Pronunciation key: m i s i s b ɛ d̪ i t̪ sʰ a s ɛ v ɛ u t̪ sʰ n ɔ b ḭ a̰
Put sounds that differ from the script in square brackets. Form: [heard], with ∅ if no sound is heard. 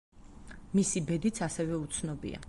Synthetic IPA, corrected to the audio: m i s i [∅] b ɛ d̪ i t̪ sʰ a s ɛ v ɛ u t̪ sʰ n ɔ b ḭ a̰